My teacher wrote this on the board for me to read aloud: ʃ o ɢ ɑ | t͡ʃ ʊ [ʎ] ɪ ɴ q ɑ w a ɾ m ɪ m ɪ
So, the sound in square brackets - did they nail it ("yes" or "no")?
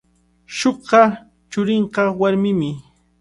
no